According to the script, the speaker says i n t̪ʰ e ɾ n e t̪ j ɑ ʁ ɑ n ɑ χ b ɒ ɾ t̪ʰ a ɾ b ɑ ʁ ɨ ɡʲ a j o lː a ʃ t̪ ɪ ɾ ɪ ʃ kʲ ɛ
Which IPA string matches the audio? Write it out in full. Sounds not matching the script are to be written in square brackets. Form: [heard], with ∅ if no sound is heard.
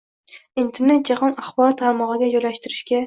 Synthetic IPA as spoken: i n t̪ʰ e ɾ n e t̪ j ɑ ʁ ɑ n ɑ χ b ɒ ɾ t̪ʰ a ɾ [m] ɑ ʁ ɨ ɡʲ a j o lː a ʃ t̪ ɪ ɾ ɪ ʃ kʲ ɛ